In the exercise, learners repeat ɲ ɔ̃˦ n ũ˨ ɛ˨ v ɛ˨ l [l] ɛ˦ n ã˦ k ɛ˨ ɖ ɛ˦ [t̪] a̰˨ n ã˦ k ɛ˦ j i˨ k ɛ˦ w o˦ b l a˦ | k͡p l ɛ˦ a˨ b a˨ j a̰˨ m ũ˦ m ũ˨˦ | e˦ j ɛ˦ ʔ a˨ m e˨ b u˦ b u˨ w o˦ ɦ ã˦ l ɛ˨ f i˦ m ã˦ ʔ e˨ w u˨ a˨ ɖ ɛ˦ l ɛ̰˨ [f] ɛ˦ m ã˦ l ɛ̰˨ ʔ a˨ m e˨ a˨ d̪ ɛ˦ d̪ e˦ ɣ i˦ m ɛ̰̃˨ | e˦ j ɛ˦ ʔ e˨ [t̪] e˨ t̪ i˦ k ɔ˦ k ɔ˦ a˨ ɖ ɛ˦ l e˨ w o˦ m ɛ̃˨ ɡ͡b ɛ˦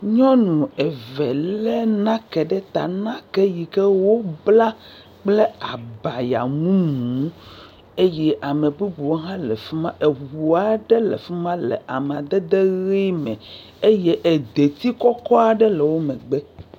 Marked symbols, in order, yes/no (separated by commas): yes, yes, yes, no